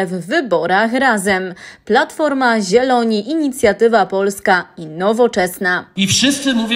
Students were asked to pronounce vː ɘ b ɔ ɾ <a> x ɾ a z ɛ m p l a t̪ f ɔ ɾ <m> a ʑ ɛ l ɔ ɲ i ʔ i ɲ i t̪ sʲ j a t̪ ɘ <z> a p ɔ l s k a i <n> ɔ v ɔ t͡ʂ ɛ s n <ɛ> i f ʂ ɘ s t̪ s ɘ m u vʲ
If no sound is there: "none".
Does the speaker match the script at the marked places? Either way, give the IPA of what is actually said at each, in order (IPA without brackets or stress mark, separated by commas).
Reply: a, m, v, n, a